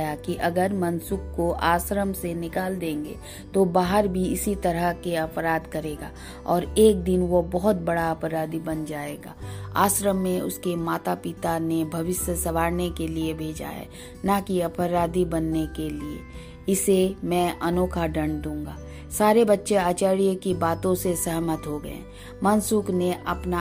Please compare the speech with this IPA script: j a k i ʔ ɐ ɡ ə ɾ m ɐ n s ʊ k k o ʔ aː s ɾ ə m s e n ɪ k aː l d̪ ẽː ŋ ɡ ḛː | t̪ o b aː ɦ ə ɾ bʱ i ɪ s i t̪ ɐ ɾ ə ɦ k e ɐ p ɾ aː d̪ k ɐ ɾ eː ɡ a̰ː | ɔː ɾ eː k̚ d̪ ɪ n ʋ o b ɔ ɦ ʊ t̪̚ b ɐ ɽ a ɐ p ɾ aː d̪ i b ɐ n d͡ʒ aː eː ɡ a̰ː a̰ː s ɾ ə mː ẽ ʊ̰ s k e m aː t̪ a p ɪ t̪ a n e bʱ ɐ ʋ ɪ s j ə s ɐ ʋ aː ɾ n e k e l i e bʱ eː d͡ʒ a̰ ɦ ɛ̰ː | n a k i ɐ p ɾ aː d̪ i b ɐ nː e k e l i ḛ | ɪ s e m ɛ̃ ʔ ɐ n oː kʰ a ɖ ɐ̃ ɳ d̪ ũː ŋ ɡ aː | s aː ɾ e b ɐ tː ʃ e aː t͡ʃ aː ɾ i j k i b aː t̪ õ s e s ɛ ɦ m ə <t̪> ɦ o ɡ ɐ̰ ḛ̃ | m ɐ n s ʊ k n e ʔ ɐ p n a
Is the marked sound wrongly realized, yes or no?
no